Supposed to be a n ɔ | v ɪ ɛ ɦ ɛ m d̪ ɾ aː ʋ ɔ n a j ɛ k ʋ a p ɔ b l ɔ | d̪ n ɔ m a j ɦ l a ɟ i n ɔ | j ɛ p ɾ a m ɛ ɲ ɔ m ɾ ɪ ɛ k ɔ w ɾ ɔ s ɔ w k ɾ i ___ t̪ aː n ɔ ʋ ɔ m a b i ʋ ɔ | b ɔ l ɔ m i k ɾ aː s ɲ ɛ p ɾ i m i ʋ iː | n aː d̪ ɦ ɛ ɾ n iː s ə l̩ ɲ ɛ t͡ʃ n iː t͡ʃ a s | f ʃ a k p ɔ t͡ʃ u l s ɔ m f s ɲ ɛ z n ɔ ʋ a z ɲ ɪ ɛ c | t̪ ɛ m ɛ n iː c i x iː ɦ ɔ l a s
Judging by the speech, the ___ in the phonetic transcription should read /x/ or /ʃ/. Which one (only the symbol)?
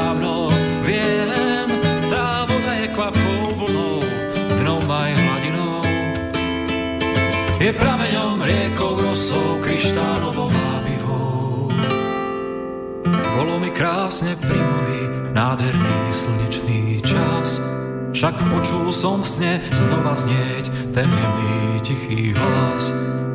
ʃ